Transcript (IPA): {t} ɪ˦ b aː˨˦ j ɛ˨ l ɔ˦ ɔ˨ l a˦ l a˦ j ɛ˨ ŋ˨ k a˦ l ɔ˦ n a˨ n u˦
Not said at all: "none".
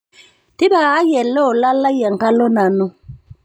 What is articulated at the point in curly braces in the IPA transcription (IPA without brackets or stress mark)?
t